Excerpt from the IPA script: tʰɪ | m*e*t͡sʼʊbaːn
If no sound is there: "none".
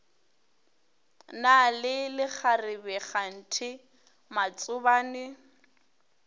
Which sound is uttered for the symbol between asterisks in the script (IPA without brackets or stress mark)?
a